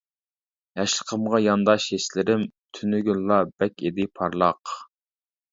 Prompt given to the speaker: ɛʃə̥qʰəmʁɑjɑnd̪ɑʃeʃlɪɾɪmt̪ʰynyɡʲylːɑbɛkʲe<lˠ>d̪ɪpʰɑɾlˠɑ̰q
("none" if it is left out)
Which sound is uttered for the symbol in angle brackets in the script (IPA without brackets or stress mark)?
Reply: none